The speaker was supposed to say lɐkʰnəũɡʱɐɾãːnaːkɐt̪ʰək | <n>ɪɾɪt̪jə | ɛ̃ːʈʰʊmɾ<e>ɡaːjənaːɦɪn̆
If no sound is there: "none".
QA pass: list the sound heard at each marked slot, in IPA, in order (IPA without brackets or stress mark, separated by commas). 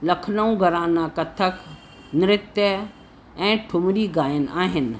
n, i